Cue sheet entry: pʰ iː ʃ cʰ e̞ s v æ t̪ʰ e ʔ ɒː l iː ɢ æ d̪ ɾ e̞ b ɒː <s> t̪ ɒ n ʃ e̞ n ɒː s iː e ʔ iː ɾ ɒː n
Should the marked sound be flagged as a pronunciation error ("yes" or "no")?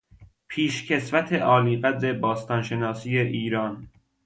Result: no